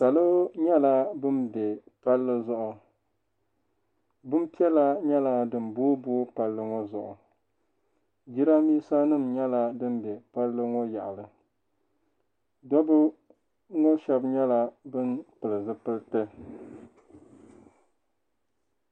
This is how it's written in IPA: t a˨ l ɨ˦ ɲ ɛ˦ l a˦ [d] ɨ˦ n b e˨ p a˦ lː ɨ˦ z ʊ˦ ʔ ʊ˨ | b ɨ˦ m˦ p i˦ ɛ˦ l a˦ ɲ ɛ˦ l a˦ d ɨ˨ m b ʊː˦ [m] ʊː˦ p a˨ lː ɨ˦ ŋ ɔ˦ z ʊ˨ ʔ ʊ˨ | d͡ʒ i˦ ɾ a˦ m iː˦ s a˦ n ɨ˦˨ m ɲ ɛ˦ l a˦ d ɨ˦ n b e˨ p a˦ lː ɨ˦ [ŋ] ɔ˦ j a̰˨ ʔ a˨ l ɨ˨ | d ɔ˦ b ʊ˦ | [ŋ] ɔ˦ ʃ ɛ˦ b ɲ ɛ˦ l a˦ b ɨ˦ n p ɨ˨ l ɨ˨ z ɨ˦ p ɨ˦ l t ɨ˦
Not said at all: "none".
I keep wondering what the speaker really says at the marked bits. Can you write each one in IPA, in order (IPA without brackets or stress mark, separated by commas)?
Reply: b, b, ŋ, ŋ